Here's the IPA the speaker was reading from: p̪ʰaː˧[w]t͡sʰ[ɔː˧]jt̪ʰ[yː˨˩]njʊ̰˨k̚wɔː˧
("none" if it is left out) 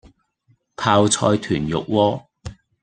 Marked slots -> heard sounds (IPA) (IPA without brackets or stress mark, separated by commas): w, ɔː˧, yː˨˩